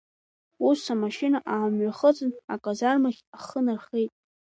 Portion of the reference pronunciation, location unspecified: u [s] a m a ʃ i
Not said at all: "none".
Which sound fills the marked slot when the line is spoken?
s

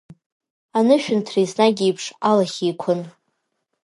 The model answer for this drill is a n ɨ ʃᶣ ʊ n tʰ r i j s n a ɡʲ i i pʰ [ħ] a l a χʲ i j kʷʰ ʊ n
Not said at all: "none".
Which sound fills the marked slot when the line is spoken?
ʂ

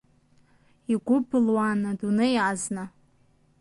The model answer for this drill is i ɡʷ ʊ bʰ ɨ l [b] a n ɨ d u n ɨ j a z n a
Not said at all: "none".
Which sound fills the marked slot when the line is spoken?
w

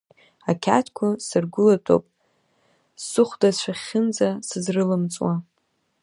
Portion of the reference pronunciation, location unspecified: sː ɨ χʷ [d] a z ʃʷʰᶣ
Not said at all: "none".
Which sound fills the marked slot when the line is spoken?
d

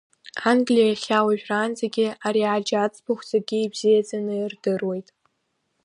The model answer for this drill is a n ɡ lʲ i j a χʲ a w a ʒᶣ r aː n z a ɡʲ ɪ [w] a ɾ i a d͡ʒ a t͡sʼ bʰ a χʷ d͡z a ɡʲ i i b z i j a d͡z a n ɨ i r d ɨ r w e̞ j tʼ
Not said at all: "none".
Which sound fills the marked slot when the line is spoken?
none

